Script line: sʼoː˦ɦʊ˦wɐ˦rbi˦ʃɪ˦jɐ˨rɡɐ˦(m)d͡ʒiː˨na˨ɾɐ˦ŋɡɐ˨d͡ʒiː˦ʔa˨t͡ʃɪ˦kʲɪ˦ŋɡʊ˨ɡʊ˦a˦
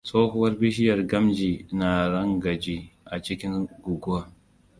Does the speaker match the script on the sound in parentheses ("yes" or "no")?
yes